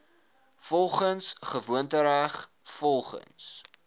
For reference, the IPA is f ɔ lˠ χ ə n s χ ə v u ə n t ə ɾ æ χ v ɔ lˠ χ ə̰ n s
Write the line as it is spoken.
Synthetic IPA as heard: f ɔ lˠ χ ə n s χ ə v u ə n t ə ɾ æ χ f ɔ lˠ χ ə̰ n s

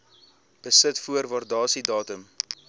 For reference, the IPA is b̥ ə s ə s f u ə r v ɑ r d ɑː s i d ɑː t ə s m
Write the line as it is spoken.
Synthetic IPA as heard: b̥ ə s ə t f u ə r v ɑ r d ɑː s i d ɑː t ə m

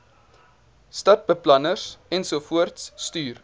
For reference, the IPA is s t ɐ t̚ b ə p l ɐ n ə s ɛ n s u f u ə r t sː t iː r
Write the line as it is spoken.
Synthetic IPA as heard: s t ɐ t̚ b ə p l ɐ n ə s ɛ n s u f u ə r t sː t yː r

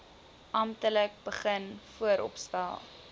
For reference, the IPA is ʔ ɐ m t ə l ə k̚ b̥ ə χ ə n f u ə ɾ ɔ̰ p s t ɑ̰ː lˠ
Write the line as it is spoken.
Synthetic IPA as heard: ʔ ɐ m t ə l ə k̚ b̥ ə χ ə n f u ə ɾ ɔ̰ p s t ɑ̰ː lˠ

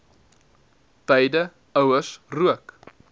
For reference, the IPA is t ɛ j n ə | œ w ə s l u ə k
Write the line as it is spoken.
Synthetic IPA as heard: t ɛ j d ə | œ w ə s r u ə k

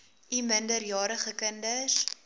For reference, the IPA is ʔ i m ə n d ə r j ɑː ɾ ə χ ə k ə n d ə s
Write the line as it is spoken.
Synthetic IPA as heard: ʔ i m ə n d ə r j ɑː ɾ ə χ ə k ə n d ə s

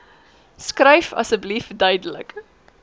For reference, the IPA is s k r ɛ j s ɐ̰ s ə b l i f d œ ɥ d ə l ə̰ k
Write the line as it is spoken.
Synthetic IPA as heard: s k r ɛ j f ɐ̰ s ə b l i f d œ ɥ d ə l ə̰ k

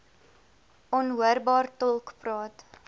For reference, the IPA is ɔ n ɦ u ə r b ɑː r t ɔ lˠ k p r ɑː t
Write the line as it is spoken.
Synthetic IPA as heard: ɔ n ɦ u ə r b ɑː r t ɔ lˠ k p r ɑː t

